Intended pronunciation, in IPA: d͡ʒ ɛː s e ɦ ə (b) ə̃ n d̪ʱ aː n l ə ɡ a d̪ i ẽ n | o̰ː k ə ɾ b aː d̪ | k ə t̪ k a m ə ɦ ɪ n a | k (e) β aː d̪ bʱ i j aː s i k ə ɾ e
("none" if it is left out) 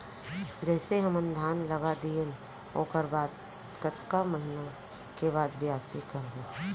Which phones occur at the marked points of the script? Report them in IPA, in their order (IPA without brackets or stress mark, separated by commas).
m, e